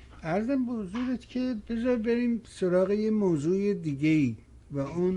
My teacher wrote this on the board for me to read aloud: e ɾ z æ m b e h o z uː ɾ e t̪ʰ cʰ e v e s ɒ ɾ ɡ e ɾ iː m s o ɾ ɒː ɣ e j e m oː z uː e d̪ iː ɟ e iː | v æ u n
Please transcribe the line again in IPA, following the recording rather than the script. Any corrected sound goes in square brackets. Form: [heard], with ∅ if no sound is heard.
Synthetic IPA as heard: [æ] ɾ z æ m b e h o z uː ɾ e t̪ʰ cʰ e [b] e [z] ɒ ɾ [b] e ɾ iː m s o ɾ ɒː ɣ e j e m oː z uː e d̪ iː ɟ e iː | v æ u n